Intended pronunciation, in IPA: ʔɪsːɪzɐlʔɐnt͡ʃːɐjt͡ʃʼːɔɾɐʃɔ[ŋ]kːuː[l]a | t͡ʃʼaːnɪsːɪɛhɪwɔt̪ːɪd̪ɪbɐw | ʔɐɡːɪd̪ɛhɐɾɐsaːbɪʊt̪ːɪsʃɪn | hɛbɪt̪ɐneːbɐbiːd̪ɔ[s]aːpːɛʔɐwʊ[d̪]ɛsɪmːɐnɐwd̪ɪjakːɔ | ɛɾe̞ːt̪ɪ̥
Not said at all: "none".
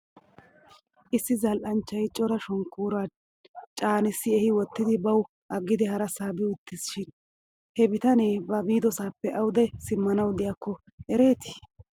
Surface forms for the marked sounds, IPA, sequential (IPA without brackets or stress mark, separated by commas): ŋ, ɾ, s, d̪